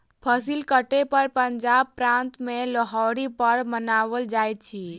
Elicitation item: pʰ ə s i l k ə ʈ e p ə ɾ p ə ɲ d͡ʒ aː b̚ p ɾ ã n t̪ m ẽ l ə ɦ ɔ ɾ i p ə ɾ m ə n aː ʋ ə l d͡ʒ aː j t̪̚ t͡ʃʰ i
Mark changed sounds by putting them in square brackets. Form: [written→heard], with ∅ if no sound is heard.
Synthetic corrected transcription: pʰ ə s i l k ə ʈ e p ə ɾ p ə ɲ d͡ʒ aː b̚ p ɾ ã n t̪ m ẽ l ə ɦ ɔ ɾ i p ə ɾ m ə n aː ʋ ə l d͡ʒ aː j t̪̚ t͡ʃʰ i